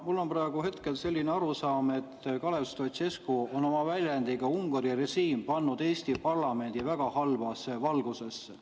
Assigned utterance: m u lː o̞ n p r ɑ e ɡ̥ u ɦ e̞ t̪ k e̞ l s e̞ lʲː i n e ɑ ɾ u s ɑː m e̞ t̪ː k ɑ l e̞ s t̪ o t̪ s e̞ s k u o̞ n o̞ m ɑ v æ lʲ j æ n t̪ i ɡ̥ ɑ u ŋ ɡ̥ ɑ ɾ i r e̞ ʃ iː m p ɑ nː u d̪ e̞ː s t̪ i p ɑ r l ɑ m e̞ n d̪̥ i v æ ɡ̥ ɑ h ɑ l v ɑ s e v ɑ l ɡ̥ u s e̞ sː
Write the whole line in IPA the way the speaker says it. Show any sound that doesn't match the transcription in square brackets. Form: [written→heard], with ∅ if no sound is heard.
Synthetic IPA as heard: m u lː o̞ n p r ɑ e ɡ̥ u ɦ e̞ t̪ k e̞ l s e̞ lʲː i n e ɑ ɾ u s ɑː m e̞ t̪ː k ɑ l e̞ s t̪ o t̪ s e̞ s k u o̞ n o̞ m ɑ v æ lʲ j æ n [t̪→d̪] i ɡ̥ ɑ u ŋ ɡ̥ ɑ ɾ i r e̞ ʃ iː m p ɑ nː u d̪ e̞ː s t̪ i p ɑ r l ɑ m e̞ n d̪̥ i v æ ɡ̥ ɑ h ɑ l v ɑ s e v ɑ l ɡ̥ u s e̞ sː